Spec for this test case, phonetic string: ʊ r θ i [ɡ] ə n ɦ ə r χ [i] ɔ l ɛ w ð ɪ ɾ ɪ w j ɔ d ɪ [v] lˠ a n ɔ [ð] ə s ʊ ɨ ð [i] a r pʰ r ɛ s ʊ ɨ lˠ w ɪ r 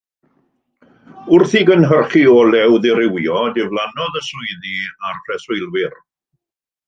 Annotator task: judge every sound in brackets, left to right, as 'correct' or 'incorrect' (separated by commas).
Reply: correct, correct, correct, correct, correct